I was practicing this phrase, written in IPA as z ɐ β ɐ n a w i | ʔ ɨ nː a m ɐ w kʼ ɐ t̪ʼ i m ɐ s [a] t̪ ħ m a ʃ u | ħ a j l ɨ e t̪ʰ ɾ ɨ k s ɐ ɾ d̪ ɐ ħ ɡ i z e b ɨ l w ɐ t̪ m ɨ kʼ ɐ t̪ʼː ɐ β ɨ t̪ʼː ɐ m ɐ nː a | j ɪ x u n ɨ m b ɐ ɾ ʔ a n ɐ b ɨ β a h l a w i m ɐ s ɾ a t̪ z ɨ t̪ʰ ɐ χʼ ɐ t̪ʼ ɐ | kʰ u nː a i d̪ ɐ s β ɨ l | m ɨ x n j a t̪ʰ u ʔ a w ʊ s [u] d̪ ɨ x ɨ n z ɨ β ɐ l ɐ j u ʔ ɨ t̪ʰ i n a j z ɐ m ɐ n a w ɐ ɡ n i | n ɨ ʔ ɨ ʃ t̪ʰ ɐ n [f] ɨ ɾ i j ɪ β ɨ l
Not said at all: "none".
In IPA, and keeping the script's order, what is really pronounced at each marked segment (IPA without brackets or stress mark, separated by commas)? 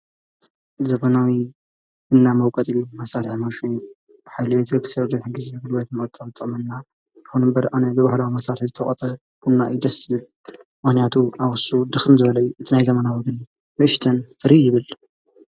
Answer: a, u, f